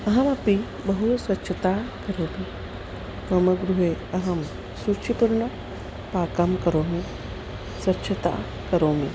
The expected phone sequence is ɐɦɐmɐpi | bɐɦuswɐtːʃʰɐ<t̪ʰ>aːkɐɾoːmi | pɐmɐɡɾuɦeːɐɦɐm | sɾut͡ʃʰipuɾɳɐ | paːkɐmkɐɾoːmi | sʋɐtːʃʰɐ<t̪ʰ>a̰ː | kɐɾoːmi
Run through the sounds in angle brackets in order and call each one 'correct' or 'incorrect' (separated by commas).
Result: incorrect, incorrect